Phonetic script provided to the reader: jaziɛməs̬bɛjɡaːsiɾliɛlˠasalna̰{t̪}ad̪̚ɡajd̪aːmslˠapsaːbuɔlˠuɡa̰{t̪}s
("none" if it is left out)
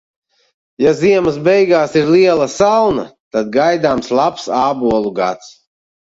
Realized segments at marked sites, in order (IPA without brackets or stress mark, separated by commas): t̪, t̪